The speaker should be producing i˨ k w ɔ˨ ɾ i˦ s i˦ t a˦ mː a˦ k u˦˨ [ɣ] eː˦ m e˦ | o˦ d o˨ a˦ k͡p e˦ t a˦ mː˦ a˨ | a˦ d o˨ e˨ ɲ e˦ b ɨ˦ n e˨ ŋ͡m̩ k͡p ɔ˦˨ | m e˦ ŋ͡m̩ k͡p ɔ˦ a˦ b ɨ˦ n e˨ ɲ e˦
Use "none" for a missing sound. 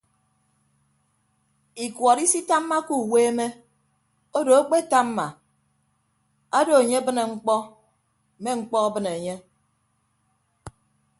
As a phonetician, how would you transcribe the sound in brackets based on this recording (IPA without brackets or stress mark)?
w